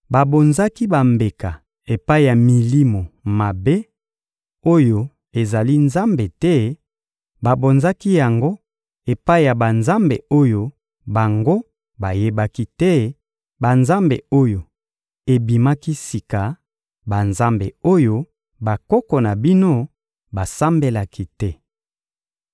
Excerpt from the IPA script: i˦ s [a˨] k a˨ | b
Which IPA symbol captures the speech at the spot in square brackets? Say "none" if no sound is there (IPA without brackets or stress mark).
i˨